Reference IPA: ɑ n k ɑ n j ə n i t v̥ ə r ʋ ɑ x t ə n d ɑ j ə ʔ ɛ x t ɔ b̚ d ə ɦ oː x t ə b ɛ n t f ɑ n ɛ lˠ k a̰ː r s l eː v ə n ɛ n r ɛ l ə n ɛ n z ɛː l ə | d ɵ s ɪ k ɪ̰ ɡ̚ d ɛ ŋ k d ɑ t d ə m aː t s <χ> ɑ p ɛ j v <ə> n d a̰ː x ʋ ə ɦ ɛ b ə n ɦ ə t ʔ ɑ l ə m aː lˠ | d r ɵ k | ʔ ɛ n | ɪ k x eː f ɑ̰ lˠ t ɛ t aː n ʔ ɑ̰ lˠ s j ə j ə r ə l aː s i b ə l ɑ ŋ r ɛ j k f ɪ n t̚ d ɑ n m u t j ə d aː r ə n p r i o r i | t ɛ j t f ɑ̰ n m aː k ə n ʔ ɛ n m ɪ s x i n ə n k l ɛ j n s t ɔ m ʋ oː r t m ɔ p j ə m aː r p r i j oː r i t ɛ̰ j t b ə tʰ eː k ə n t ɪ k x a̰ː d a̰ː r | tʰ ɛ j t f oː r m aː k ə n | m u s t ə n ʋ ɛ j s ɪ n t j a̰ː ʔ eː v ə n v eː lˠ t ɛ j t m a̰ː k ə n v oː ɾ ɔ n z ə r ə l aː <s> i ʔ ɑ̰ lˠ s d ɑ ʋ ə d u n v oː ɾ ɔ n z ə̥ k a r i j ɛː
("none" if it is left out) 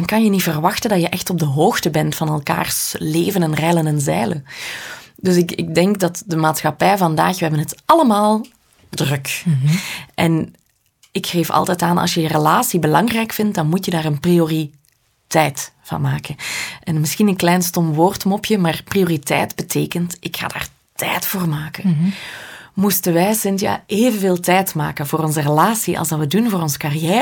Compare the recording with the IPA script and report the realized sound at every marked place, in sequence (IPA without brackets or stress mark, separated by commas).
x, ɑ, s